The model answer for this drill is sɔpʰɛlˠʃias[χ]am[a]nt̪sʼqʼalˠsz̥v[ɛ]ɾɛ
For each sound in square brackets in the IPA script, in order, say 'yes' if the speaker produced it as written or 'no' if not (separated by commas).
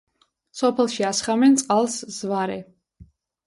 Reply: yes, no, no